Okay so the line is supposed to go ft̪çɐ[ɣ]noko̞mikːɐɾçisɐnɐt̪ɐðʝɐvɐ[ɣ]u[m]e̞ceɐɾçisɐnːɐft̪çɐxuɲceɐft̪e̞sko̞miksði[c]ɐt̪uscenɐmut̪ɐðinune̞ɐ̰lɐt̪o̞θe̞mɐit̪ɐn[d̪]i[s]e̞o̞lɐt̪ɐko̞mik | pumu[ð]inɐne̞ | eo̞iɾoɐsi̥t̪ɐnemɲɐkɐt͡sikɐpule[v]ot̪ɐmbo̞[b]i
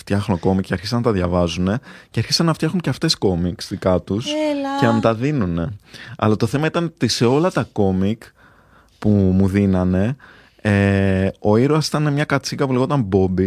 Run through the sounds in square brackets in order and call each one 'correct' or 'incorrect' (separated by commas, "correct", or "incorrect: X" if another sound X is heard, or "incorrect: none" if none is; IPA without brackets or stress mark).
incorrect: x, incorrect: z, incorrect: n, incorrect: k, incorrect: t̪, correct, correct, incorrect: ɣ, correct